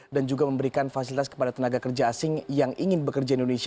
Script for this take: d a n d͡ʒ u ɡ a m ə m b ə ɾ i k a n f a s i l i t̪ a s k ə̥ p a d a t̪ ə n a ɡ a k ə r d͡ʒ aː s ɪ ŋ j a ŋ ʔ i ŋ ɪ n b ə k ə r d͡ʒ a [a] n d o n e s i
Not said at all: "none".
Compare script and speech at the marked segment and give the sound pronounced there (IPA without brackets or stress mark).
i